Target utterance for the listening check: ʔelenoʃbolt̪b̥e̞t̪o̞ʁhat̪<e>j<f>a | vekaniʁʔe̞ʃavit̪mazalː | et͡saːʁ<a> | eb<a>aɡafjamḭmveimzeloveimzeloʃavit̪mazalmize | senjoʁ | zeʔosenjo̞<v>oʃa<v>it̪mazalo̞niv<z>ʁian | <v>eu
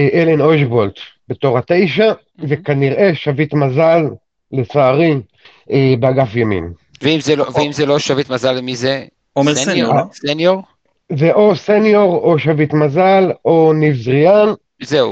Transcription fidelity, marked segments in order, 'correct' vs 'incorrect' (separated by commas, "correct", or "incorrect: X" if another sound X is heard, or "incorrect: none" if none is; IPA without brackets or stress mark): correct, incorrect: ʃ, incorrect: i, incorrect: e, incorrect: ʁ, correct, correct, incorrect: z